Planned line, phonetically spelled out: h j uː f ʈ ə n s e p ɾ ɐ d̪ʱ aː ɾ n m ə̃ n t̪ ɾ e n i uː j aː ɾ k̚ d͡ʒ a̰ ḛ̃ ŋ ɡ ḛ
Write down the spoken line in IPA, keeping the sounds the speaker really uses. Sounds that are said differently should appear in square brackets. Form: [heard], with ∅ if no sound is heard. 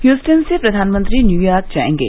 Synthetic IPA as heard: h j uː [s] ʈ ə n s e p ɾ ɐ d̪ʱ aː [∅] n m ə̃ n t̪ ɾ [i] n [j] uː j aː ɾ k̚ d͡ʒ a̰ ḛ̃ ŋ ɡ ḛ